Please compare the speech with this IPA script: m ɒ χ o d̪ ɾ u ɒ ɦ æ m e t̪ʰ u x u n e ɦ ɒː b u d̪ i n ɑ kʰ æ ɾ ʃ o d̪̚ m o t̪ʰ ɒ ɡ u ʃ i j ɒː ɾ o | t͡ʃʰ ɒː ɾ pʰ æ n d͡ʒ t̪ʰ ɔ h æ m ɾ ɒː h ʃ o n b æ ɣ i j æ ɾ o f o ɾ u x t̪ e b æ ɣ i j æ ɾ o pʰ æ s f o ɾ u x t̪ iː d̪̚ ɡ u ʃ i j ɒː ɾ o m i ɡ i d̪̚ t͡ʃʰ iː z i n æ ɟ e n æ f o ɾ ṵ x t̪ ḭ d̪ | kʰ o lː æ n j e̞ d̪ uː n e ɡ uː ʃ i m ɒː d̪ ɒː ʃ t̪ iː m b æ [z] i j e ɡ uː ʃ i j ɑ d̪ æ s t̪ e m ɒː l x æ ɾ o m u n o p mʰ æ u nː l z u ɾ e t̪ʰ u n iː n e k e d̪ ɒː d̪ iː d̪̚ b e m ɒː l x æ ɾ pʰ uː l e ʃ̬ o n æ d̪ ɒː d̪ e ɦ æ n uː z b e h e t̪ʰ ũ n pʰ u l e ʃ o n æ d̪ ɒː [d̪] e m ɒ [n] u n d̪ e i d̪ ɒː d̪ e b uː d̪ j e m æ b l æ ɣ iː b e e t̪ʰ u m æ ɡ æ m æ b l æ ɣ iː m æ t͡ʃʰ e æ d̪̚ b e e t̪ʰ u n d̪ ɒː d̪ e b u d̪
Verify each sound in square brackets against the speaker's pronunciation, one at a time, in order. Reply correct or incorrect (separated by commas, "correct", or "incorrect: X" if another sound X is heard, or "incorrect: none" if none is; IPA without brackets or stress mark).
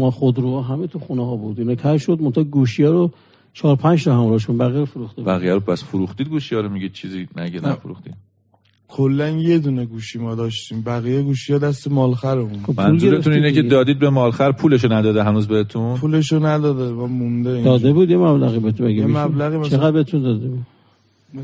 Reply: incorrect: ɣ, correct, incorrect: m